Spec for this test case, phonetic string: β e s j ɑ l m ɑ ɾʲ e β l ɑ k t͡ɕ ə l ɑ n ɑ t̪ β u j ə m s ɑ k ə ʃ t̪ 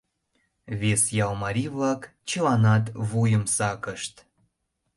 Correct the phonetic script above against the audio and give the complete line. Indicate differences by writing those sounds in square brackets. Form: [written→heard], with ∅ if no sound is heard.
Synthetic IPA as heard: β e s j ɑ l m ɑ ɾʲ [e→i] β l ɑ k t͡ɕ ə l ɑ n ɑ t̪ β u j ə m s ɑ k ə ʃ t̪